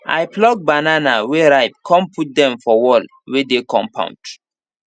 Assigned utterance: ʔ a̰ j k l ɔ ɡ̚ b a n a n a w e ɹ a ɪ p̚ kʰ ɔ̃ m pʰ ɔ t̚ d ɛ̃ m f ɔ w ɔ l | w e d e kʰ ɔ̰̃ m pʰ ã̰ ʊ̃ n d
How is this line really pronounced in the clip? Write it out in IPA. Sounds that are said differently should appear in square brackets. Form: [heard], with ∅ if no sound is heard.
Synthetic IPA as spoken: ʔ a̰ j [p] l ɔ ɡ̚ b a n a n a w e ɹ a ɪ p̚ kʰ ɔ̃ m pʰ [u] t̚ d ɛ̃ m f ɔ w ɔ l | w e d e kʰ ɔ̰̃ m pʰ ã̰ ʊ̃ n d